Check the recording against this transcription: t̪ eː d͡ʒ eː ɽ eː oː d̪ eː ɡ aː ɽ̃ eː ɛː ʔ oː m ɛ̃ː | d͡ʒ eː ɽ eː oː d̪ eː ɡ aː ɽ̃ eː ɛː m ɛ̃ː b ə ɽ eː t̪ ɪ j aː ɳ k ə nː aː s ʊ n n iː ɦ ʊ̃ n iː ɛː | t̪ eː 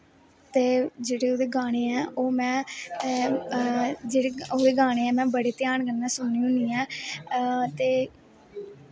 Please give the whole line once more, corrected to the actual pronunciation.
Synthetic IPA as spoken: t̪ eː d͡ʒ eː ɽ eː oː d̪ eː ɡ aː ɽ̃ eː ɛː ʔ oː m ɛ̃ː | d͡ʒ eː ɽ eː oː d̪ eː ɡ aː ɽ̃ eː ɛː m ɛ̃ː b ə ɽ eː t̪ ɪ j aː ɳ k ə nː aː s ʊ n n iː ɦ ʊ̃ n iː ɛː | t̪ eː

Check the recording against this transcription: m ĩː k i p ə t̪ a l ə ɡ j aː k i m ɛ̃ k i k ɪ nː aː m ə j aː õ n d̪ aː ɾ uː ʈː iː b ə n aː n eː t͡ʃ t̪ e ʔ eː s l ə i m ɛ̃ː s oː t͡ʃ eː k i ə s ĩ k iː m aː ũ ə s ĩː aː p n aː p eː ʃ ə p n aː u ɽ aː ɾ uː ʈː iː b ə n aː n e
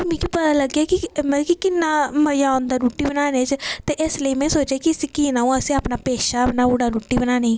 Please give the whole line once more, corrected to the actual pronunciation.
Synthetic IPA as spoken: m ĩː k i p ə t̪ a l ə ɡ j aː k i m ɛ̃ k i k ɪ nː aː m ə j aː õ n d̪ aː ɾ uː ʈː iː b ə n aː n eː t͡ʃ t̪ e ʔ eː s l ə i m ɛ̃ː s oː t͡ʃ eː k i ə s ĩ k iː n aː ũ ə s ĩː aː p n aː p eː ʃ a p n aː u ɽ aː ɾ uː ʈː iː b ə n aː n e

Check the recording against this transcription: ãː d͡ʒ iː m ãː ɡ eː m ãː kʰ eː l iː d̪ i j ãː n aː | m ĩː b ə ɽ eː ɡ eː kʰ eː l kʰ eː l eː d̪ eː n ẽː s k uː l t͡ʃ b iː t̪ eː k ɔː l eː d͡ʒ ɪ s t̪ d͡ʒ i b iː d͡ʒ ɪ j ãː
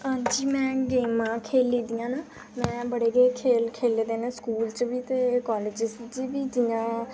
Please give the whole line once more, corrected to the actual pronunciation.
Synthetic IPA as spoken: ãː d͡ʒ iː m ɛ̃ː ɡ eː m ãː kʰ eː l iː d̪ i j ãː n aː | m ɛ̃ː b ə ɽ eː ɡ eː kʰ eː l kʰ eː l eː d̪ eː n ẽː s k uː l t͡ʃ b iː t̪ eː k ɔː l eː d͡ʒ ɪ s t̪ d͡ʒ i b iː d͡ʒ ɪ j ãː

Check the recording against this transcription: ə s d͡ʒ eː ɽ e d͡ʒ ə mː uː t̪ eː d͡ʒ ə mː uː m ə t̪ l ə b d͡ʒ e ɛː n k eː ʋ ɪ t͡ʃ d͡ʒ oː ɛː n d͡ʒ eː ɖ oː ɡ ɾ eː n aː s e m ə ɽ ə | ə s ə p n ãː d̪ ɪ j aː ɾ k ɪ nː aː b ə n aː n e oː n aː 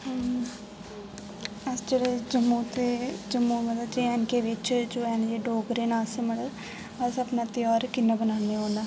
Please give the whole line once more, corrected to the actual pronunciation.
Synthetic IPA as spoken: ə s d͡ʒ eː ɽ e d͡ʒ ə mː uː t̪ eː d͡ʒ ə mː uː m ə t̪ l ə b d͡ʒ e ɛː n k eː ʋ ɪ t͡ʃ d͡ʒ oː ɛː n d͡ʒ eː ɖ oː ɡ ɾ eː n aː s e m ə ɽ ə | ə s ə p n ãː t̪ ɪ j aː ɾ k ɪ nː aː b ə n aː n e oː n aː

